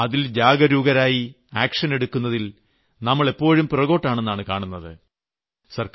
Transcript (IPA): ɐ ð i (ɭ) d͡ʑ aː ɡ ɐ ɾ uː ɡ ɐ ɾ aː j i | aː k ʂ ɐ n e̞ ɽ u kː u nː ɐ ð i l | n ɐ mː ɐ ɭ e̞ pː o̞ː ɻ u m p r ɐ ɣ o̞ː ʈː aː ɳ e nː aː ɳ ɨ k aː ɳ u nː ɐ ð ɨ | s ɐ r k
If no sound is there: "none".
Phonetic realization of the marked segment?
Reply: l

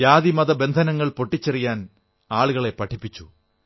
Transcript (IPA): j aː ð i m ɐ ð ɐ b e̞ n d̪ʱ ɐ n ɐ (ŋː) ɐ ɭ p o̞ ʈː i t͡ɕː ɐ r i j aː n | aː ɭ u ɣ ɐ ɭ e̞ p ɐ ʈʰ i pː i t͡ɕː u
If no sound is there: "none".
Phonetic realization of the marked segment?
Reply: ŋː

